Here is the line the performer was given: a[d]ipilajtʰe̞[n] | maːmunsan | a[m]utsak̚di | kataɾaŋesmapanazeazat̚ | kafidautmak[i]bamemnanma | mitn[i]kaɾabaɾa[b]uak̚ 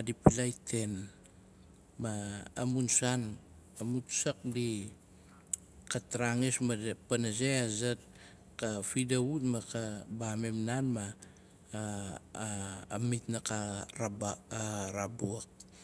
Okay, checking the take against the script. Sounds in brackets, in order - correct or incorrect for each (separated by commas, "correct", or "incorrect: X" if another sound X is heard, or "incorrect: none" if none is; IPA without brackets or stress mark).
correct, correct, correct, incorrect: a, incorrect: a, correct